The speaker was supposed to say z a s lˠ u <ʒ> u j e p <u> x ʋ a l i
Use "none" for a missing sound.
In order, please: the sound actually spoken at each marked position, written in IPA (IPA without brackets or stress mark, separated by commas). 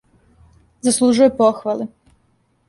ʒ, o